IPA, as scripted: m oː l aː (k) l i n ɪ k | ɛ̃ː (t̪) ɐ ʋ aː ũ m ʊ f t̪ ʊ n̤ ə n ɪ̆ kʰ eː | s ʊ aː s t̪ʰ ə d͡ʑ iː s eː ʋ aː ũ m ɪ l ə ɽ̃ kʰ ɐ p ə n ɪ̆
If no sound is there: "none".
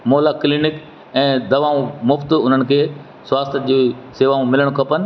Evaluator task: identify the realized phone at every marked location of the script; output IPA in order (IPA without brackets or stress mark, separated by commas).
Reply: k, d̪